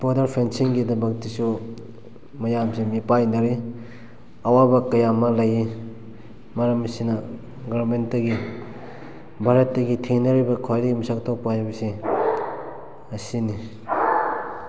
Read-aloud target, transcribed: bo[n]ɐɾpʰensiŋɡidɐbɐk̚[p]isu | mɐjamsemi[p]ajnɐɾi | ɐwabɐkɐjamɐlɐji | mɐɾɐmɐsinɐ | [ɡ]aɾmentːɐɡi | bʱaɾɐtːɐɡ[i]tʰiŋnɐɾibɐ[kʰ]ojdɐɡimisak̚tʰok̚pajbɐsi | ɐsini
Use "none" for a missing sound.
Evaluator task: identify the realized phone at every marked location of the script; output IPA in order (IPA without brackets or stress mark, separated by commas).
d, t, p, ɡ, i, kʰ